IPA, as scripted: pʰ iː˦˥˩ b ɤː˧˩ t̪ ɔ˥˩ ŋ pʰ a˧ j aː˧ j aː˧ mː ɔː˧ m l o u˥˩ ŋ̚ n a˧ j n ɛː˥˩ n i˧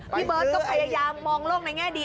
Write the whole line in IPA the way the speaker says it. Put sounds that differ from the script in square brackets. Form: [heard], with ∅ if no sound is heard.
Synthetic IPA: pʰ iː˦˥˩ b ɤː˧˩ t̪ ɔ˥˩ ŋ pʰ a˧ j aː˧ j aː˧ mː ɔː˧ [ŋ] l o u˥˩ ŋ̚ n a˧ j [ŋ] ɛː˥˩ [d] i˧